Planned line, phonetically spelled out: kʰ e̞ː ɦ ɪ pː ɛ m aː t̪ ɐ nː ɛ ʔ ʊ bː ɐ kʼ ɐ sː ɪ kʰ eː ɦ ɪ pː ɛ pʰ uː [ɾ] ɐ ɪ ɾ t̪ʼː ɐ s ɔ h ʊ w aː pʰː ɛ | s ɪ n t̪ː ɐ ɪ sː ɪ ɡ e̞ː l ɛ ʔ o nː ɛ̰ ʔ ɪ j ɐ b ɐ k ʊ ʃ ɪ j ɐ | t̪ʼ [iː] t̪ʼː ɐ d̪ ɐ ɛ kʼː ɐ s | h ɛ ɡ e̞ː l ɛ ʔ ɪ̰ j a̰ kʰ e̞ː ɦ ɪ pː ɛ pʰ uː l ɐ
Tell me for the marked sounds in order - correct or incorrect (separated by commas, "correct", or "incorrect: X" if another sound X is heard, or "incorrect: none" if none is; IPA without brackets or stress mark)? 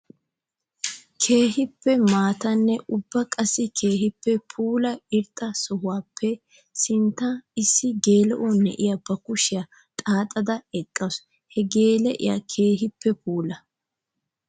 incorrect: l, incorrect: aː